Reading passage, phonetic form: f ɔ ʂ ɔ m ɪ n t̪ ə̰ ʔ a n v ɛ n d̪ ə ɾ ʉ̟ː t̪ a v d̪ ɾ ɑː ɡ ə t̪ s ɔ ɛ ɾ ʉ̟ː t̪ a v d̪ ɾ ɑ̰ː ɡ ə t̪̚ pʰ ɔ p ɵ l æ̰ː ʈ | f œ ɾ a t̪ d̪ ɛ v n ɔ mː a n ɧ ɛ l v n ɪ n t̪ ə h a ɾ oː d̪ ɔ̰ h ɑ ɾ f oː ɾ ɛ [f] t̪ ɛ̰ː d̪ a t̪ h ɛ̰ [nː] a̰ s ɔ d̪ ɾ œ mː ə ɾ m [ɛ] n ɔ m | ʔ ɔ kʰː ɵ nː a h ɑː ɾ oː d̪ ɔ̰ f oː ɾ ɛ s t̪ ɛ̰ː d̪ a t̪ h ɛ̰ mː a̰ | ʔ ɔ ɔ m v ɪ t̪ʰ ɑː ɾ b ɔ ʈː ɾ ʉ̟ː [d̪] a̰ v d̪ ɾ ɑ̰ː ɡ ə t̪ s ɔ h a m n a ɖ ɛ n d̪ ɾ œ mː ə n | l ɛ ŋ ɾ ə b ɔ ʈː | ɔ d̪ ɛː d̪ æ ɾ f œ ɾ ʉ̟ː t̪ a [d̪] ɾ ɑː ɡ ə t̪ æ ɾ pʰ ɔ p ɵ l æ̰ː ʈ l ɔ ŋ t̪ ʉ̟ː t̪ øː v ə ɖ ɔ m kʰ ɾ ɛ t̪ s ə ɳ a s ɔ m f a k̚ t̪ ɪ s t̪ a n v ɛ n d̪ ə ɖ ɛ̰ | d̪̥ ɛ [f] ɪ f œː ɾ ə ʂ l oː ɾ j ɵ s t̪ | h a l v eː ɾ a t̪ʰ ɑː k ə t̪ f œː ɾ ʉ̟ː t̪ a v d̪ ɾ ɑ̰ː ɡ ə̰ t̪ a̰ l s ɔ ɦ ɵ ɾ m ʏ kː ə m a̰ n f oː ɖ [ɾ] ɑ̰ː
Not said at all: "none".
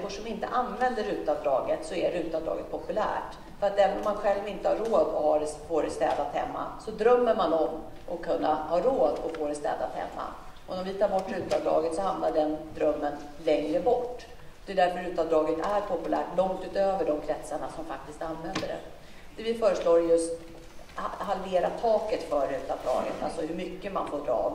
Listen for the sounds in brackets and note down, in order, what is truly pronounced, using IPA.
s, mː, a, t̪, d̪, v, ɾ

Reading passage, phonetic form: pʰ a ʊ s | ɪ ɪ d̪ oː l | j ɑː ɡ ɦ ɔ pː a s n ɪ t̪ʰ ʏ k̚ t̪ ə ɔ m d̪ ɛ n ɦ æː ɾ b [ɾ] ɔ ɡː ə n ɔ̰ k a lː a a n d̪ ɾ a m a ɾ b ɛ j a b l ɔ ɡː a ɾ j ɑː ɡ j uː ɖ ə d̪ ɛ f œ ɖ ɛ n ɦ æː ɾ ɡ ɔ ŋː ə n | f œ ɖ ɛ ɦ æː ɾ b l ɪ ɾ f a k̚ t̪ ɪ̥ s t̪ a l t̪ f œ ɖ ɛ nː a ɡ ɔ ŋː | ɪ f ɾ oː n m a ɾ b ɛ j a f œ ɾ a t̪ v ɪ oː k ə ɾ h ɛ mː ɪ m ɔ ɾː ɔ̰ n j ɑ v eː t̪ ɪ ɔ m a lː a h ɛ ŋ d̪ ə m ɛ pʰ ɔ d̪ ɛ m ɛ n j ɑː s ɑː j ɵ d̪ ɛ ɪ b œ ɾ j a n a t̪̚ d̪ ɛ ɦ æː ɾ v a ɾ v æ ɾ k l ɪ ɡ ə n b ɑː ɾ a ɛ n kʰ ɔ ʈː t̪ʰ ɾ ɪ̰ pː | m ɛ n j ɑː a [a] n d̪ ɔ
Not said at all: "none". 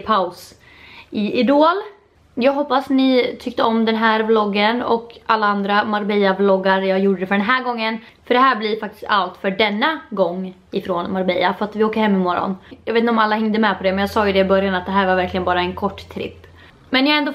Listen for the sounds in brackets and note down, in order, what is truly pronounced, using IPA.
l, ɛ

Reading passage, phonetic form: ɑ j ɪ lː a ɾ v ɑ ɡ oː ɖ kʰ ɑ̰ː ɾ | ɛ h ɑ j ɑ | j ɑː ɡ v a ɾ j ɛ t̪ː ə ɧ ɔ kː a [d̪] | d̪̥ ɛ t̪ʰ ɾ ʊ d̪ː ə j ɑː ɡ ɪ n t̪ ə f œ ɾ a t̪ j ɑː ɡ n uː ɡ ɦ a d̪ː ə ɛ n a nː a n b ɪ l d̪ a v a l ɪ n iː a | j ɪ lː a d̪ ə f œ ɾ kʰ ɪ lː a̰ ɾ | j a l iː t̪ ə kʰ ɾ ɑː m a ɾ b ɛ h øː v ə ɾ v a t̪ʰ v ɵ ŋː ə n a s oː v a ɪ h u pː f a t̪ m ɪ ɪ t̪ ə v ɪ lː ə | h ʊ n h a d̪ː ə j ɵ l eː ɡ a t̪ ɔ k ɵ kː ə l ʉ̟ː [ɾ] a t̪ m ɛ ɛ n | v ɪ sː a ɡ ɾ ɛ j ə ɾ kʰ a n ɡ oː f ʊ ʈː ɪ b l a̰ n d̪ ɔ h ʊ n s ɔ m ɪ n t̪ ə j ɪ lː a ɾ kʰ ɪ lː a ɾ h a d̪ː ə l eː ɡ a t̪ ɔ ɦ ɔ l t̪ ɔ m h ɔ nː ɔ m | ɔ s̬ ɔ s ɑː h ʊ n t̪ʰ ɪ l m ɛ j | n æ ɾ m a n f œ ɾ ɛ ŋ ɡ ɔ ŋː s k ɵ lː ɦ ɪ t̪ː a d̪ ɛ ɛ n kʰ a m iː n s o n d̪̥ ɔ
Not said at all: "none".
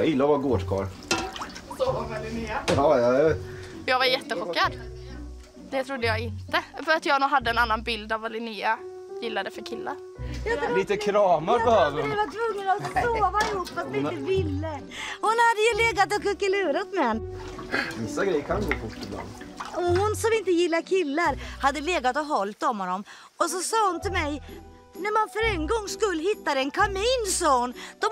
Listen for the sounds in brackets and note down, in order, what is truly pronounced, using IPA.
d̪, ɾ

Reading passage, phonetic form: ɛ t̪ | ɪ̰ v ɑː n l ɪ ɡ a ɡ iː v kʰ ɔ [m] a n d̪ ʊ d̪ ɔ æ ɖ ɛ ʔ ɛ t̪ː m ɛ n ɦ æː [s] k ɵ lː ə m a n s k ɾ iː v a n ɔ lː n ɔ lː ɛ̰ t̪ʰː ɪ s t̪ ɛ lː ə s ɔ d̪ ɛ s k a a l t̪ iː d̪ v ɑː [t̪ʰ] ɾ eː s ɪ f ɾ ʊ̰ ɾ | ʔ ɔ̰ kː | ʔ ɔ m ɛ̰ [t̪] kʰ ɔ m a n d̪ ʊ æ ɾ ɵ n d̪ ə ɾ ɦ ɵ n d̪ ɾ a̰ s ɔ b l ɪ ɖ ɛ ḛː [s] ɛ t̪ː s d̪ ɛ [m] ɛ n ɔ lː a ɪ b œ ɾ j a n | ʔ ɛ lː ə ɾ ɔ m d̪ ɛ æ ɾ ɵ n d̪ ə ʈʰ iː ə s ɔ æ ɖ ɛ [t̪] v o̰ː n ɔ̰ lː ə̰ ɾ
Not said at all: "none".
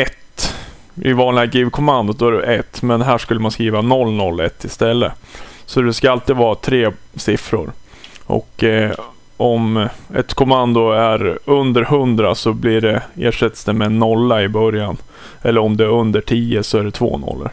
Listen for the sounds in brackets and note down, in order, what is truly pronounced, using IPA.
m, ʂ, t̪ʰ, t̪, ʂ, m, t̪ʰ

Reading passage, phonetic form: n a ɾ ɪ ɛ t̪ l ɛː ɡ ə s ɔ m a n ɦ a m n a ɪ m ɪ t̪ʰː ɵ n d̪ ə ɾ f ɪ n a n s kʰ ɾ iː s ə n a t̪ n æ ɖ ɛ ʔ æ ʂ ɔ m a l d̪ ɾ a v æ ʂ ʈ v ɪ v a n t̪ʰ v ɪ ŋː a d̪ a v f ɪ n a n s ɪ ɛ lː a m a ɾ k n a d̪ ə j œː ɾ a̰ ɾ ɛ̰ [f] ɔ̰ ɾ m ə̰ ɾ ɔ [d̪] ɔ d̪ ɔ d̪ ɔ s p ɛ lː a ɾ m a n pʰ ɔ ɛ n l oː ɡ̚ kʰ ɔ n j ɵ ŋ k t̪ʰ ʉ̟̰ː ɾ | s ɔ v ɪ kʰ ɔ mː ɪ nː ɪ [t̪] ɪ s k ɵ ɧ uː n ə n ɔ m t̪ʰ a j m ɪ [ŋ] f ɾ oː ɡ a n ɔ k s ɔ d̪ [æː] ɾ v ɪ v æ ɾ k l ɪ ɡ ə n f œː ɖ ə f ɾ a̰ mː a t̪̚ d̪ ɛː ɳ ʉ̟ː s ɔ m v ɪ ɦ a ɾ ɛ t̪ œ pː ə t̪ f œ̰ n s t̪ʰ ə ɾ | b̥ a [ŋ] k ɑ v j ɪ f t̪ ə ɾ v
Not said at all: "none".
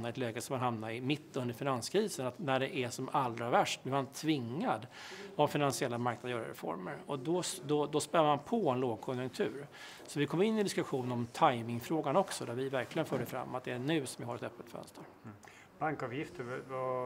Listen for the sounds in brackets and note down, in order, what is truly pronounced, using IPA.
f, d̪, d̪, ŋ, æ, ŋ

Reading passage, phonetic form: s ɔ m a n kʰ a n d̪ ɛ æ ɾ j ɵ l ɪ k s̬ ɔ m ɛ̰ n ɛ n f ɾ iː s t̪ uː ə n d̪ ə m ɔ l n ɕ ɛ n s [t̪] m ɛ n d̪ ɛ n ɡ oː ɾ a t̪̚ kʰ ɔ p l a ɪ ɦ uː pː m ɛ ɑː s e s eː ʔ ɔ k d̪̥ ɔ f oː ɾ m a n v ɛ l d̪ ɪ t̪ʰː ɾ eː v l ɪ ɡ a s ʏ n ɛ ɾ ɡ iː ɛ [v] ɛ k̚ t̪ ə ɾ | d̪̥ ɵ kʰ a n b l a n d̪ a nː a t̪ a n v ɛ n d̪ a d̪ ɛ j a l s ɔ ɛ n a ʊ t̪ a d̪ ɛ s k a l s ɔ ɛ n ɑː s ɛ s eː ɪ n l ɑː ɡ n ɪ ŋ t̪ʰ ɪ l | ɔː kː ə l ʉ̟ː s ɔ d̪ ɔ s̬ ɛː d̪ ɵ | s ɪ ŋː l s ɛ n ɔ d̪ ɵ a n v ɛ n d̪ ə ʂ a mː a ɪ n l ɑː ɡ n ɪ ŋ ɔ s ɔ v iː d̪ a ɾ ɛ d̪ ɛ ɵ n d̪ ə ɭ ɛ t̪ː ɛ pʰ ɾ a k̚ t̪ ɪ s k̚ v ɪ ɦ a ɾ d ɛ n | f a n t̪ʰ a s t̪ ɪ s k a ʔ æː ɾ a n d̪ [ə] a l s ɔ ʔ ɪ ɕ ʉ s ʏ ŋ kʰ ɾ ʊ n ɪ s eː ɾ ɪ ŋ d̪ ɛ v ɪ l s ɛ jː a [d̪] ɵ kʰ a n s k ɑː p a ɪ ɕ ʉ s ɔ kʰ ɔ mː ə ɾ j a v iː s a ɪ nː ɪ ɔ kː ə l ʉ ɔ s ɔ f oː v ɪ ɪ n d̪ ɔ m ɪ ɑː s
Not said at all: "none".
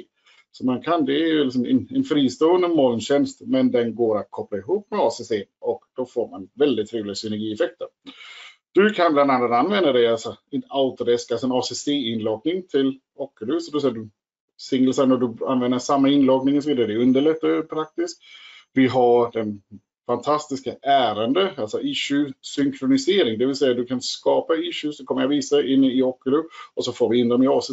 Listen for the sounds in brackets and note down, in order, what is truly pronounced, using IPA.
t̪, f, ə, d̪

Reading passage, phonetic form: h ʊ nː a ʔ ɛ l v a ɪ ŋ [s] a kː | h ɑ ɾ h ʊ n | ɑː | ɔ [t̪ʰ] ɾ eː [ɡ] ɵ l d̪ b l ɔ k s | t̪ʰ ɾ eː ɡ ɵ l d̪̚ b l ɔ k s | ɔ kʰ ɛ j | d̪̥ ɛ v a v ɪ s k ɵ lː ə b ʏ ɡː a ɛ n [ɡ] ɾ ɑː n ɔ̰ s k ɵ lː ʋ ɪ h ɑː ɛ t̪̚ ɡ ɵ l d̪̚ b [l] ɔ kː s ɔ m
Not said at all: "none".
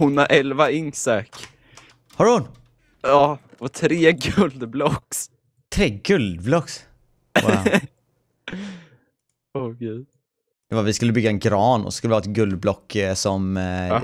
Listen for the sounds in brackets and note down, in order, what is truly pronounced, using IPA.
s, t̪ʰ, ɡ, ɡ, l

